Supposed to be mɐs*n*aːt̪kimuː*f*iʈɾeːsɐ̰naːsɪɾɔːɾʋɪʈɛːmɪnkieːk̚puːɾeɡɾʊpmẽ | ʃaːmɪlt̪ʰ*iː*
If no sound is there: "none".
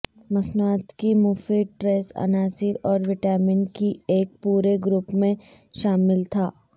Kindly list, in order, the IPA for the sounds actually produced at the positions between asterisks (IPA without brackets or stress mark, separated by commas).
n, f, aː